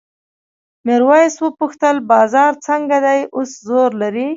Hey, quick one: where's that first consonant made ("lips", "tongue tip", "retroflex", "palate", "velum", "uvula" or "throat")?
lips